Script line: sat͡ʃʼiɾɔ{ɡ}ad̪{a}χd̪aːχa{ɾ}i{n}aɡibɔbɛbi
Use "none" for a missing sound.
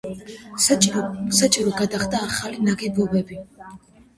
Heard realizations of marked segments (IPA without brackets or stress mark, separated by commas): ɡ, a, l, n